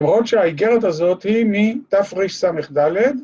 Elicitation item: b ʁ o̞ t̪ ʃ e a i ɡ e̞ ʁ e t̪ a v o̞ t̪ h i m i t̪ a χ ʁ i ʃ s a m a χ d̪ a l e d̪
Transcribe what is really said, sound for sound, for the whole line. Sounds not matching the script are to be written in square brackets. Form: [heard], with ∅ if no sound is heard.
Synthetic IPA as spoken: [m] ʁ o̞ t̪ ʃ e a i ɡ e̞ ʁ e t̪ a [z] o̞ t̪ h i m i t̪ a [f] ʁ i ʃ s a m [e] χ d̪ a l e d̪